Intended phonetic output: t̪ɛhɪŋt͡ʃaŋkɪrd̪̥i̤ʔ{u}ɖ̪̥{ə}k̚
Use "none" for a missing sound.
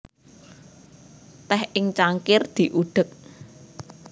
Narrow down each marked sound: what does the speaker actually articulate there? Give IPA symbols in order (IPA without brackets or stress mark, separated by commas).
u, ə